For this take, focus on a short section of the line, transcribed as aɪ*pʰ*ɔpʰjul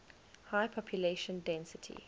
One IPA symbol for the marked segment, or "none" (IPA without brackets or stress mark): pʰ